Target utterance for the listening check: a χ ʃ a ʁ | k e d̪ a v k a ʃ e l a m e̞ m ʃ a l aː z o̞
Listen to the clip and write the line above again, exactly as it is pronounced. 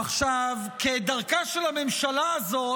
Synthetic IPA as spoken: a χ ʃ a v | k e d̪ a ʁ k a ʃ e l a m e̞ m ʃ a l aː z o̞